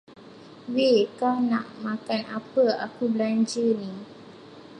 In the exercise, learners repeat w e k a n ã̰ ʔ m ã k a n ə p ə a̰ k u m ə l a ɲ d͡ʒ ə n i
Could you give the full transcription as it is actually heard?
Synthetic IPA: w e k a n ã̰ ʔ m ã k a n a p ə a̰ k u b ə l a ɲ d͡ʒ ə n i